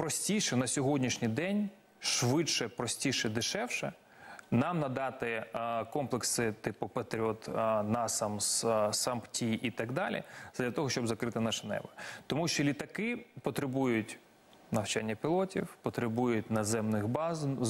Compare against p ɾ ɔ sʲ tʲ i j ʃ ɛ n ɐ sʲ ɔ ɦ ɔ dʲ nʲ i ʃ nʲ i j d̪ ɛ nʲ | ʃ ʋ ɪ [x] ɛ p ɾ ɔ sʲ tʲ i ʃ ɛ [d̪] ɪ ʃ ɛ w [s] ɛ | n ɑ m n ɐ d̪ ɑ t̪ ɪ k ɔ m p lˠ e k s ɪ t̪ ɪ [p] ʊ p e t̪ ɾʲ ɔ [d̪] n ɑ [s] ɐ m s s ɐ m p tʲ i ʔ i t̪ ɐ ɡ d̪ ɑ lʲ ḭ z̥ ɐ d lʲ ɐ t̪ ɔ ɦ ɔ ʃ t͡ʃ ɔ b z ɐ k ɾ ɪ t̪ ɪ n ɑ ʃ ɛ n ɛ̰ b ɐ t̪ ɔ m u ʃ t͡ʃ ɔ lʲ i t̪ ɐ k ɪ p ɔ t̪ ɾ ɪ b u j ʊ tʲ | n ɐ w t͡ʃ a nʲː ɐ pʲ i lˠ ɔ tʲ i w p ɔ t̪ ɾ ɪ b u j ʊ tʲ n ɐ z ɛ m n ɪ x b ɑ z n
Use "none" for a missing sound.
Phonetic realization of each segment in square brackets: ʃ, d̪, ʃ, p, t̪, s

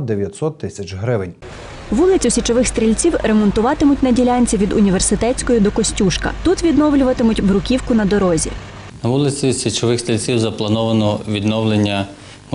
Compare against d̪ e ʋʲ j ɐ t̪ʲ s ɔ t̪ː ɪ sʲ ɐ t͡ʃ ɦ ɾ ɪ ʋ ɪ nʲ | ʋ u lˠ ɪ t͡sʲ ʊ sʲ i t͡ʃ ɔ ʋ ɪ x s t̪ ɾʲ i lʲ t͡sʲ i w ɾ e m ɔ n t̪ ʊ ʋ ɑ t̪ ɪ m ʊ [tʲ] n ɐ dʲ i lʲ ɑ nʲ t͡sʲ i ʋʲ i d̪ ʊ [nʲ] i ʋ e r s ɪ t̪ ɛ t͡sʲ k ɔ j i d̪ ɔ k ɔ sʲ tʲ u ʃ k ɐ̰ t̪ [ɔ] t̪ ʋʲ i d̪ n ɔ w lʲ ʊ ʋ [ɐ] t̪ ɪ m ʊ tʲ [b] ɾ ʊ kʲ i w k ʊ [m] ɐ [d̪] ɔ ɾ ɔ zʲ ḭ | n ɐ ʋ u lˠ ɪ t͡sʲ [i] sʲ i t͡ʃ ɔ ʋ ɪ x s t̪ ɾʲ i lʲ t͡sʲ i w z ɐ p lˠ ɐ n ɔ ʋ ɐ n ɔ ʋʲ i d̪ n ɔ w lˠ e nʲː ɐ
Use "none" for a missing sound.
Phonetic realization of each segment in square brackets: tʲ, nʲ, u, ɐ, b, n, d̪, i

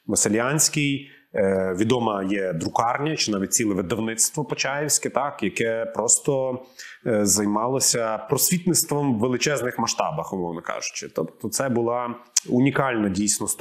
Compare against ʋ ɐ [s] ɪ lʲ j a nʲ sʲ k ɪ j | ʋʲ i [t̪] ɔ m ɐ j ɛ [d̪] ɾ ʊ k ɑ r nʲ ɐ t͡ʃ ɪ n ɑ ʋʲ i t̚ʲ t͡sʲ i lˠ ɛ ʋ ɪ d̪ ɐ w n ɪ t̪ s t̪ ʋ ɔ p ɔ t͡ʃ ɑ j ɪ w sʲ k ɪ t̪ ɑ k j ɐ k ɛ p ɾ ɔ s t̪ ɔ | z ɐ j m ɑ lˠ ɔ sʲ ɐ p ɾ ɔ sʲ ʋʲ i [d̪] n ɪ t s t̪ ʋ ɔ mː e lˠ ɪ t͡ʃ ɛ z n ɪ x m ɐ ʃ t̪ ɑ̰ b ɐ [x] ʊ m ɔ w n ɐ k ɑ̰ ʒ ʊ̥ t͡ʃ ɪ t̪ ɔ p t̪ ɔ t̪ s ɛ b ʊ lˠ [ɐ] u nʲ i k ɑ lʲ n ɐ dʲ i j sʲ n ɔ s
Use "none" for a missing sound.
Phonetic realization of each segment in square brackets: s, d̪, d̪, t̪, x, ɑ

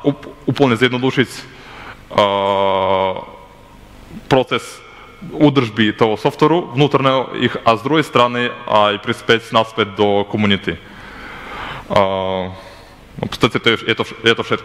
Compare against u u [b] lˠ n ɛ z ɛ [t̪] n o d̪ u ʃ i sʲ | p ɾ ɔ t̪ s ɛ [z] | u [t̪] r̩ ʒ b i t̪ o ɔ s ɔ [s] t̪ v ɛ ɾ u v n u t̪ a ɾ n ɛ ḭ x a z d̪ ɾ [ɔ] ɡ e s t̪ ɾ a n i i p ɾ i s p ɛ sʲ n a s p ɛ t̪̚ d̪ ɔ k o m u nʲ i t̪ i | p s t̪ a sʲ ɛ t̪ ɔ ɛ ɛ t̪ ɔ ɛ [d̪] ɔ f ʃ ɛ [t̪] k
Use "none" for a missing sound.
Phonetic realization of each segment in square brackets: p, d̪, s, d̪, f, u, t̪, t̪

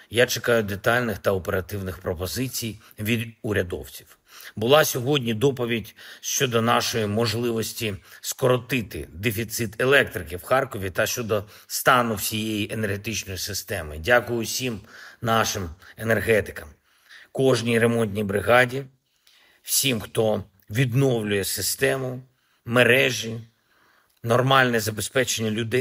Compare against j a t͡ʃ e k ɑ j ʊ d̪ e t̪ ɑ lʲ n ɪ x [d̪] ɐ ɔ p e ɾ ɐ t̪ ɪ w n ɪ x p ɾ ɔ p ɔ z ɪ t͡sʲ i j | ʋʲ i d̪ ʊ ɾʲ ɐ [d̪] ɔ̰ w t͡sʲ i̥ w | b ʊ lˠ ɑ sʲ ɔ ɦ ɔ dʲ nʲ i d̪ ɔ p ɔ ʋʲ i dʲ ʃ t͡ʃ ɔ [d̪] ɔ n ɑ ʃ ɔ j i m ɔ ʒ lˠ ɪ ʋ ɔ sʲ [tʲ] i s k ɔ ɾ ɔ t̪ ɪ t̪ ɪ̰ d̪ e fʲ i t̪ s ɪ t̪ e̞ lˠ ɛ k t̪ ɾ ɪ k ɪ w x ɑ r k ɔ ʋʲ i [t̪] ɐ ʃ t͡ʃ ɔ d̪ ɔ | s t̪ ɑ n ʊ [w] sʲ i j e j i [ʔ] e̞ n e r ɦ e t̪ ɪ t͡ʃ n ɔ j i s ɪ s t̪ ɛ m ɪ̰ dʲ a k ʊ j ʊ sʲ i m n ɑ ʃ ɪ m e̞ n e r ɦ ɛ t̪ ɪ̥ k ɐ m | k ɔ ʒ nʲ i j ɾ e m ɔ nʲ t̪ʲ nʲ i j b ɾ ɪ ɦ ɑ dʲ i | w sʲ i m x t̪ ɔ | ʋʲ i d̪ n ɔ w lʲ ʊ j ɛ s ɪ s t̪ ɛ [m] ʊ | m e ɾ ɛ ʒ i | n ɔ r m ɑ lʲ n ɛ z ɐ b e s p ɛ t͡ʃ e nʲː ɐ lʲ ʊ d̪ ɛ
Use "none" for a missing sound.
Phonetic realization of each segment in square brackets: t̪, d̪, d̪, tʲ, t̪, w, ʔ, m

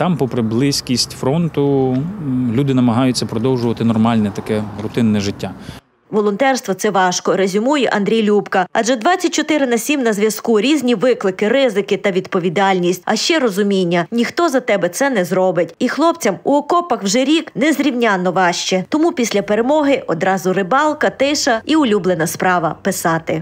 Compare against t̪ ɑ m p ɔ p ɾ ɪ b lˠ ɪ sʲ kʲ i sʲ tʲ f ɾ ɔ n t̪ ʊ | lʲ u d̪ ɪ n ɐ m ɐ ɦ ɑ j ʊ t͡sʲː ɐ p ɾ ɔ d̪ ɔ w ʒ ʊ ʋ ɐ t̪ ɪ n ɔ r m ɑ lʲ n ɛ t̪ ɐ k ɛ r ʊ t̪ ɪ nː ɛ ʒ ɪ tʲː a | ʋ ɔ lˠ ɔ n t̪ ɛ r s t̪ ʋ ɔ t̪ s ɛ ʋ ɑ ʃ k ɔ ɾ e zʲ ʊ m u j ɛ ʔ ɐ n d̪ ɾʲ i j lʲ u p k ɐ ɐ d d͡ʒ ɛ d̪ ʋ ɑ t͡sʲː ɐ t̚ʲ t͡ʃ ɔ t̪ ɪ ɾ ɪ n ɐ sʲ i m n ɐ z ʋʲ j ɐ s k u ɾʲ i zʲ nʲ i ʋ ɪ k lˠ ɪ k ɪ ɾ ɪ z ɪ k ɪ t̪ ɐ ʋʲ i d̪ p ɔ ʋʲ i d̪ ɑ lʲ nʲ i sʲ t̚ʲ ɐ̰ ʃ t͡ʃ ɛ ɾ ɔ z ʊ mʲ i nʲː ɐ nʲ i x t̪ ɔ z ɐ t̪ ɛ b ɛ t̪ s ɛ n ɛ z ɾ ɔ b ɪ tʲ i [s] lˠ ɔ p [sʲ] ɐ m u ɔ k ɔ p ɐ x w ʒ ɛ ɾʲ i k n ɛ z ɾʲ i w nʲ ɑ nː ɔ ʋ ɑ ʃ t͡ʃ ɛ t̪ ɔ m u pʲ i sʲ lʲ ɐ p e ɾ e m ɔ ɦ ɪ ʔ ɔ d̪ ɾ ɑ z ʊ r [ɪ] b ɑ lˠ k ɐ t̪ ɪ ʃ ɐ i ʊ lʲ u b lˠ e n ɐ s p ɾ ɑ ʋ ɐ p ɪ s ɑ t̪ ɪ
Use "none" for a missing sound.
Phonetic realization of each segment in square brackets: x, t͡sʲ, ɪ

